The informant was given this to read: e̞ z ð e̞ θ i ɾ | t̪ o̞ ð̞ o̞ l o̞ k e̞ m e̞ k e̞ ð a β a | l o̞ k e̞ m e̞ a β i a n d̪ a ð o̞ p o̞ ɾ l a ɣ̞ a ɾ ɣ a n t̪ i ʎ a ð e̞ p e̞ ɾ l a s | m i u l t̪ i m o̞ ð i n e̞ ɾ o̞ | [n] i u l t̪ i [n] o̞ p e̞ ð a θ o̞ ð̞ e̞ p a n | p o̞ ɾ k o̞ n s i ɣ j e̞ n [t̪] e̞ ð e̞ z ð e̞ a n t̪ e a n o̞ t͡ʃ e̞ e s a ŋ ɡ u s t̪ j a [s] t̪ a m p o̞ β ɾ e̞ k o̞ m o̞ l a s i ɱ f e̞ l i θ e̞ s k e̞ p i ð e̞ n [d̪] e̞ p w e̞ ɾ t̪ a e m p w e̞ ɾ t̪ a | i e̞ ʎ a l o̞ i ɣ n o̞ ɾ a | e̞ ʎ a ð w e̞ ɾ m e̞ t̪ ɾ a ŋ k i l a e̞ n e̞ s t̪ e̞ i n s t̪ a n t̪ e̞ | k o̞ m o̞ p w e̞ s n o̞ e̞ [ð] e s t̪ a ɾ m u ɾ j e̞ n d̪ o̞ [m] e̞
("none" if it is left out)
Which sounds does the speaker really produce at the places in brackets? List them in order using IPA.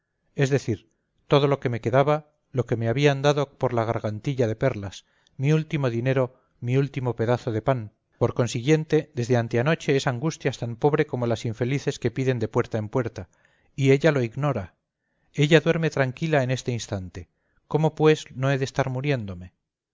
m, m, t̪, s, d̪, ð, m

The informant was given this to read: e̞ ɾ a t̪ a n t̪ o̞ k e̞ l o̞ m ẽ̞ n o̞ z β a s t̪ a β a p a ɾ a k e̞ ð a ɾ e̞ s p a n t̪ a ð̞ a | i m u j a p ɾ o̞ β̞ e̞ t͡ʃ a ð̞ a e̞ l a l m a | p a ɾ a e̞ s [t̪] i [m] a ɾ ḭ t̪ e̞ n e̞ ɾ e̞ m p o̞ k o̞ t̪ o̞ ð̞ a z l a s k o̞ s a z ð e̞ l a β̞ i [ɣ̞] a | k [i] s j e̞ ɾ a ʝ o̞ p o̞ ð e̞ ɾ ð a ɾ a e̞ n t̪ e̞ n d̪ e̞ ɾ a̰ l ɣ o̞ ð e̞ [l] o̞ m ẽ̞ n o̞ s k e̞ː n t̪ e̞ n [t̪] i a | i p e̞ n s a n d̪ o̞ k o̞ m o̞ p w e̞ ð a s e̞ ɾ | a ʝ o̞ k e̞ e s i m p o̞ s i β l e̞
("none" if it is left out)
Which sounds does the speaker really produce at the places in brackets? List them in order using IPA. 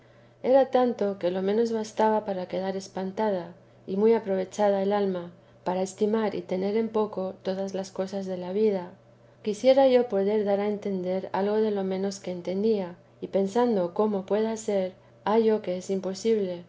t̪, m, ð̞, i, l, d̪

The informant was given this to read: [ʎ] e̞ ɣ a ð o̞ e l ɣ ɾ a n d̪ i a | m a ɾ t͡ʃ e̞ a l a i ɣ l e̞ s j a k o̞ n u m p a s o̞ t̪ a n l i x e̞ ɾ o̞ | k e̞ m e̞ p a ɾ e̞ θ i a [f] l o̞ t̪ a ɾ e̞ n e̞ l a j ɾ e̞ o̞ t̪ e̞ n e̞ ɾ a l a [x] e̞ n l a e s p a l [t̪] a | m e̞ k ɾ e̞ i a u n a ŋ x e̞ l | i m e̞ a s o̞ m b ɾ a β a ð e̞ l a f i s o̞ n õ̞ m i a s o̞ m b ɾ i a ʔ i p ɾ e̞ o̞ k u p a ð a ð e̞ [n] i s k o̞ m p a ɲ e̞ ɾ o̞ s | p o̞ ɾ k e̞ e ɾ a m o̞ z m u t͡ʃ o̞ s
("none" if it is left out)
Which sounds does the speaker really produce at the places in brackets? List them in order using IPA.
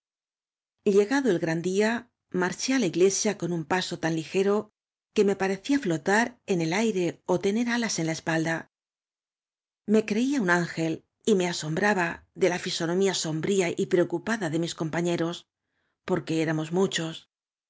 ʎ, f, s, d̪, m

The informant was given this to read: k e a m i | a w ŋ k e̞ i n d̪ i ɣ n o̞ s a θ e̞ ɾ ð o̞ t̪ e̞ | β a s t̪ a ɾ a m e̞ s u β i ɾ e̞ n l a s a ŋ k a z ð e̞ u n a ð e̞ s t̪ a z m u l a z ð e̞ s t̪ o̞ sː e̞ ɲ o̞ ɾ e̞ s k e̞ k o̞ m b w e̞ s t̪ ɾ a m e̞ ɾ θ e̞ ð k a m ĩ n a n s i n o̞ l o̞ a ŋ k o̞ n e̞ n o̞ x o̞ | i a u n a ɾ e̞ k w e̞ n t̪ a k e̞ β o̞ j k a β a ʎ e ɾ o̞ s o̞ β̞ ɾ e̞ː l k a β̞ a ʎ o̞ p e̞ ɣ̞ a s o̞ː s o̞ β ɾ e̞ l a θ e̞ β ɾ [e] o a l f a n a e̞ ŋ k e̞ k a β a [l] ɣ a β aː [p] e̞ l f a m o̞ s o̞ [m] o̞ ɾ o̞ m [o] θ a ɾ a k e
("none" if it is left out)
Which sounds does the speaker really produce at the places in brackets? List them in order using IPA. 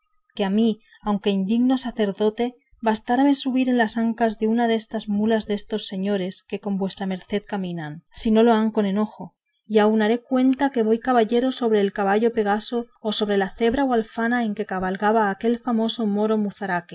a, l, k, m, u

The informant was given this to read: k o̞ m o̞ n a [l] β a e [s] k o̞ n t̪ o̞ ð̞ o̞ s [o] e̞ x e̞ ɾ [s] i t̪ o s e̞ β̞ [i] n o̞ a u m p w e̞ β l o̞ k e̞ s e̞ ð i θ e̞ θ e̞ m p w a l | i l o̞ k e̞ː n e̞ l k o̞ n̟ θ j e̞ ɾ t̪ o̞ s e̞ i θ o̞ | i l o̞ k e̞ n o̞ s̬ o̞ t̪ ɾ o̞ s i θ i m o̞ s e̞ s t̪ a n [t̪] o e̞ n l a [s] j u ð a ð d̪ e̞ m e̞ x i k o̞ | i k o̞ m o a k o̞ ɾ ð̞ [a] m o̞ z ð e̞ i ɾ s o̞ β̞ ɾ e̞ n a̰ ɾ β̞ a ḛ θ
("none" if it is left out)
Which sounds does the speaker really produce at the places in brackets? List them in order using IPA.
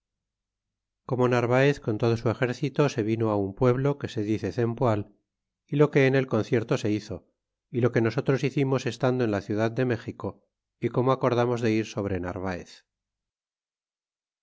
ɾ, θ, u, θ, i, d̪, θ, a

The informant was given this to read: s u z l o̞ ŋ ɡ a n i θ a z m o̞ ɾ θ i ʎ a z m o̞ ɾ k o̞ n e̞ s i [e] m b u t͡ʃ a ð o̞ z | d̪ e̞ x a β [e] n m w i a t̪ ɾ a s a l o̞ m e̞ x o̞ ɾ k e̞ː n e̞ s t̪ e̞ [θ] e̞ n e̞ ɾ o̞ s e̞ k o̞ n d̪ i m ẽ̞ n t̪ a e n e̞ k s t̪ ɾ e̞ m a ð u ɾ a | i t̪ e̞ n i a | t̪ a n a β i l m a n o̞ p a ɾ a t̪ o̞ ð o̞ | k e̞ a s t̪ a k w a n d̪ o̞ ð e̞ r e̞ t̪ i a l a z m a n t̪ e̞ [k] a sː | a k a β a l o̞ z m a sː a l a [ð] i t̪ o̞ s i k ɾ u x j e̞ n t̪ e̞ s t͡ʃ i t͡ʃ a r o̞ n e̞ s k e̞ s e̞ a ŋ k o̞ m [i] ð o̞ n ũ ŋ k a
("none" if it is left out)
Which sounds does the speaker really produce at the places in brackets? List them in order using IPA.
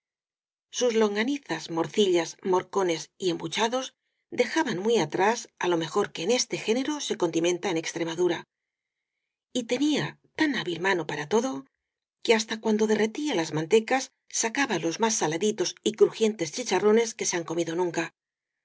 e, a, x, k, ð, i

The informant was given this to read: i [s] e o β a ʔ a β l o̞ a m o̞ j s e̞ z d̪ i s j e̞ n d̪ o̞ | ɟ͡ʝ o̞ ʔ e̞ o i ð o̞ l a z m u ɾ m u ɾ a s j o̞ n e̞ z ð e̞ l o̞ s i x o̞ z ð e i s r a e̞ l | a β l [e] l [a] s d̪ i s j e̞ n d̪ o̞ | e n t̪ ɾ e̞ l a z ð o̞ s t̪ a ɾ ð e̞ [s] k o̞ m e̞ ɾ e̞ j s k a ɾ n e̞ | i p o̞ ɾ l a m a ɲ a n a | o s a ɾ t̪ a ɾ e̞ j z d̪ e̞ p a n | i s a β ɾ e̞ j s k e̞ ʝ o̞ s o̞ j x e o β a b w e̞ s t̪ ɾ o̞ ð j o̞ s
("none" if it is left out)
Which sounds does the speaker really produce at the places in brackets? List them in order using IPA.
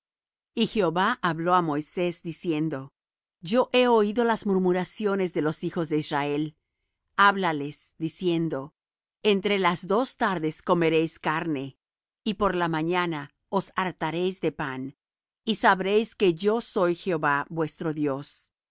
x, a, e, s

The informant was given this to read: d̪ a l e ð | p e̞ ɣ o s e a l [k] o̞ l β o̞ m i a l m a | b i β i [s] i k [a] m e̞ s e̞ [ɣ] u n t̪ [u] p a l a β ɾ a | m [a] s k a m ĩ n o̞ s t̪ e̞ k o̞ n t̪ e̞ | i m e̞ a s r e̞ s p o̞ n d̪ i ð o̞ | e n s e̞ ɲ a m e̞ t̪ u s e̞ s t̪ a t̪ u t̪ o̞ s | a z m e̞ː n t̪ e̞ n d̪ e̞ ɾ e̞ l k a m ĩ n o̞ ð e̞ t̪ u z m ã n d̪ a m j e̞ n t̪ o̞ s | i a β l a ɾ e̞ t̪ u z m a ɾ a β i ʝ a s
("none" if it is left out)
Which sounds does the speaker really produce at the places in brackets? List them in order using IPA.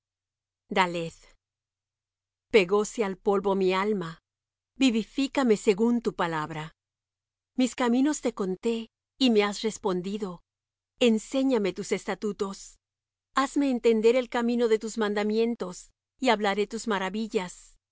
p, f, a, ɣ, u, i

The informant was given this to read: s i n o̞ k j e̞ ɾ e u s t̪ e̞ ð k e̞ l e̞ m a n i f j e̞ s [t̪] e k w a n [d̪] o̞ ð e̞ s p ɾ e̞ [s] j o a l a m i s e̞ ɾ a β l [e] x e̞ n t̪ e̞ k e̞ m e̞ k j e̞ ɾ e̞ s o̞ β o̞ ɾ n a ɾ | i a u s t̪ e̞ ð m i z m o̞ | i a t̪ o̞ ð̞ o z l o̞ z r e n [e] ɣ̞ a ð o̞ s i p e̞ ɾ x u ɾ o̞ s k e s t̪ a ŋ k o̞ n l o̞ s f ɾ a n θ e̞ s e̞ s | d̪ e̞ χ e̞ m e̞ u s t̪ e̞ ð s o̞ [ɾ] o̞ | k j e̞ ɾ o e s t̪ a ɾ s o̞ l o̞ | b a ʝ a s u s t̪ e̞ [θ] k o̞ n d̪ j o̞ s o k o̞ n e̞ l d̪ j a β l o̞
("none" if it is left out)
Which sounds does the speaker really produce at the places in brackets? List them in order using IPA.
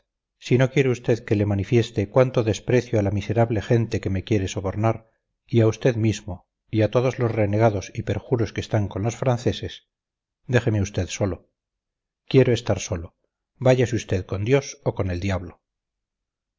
t̪, t̪, θ, e, e, l, ð

